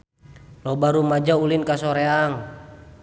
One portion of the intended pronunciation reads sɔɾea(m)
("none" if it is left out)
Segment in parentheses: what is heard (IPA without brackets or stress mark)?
ŋ